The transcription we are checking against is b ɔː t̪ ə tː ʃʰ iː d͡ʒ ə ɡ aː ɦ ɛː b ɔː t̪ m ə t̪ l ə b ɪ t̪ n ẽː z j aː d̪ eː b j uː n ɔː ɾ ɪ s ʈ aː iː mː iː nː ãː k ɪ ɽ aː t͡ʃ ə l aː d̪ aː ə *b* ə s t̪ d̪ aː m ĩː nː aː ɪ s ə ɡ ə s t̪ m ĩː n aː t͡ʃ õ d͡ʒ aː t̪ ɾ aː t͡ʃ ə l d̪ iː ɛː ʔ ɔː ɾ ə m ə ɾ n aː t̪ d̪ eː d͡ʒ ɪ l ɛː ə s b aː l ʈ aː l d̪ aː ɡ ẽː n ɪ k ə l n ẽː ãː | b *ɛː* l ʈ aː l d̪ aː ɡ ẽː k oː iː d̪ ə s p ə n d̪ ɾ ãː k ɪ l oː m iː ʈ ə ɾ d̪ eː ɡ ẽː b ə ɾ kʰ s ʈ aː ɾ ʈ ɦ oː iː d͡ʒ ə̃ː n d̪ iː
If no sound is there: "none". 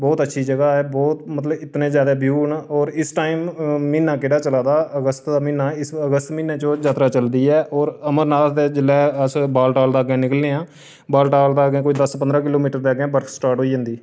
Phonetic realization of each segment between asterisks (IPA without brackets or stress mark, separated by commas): ɡ, aː